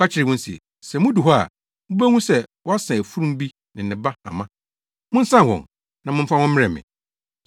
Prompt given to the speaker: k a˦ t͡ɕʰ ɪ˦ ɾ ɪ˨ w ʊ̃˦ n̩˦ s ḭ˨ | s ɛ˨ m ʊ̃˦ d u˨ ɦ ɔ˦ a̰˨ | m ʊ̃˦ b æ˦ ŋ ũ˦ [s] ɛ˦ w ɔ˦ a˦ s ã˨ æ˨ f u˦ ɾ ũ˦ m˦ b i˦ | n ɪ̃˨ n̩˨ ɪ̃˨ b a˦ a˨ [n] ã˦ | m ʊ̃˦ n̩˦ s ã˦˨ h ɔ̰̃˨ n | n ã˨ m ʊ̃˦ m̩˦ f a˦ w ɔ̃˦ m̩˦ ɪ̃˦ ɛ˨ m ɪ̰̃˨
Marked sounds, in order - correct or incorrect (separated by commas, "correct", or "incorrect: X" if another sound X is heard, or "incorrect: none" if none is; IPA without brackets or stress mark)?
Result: correct, incorrect: m